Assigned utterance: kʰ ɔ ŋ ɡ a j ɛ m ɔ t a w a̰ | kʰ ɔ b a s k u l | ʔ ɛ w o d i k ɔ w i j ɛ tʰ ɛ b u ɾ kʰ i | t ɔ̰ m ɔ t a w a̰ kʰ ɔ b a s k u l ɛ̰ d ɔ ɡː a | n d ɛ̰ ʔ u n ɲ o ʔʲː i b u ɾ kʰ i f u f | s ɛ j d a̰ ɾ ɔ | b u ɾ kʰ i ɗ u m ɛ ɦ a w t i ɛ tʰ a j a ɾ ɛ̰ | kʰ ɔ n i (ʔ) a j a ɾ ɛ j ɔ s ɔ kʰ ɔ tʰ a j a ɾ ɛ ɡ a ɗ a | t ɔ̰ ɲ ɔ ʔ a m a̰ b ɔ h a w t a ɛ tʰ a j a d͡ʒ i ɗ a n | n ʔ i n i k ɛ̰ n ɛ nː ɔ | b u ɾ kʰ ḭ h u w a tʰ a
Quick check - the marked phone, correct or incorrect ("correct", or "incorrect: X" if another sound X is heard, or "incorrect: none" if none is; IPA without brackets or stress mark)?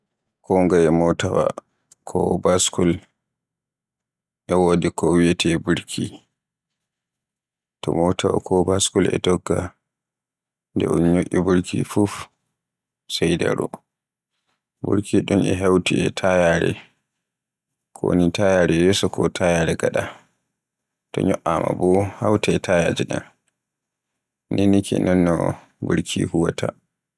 incorrect: t